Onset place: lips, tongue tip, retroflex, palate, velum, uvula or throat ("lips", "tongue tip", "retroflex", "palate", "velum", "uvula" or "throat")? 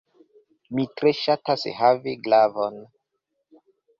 lips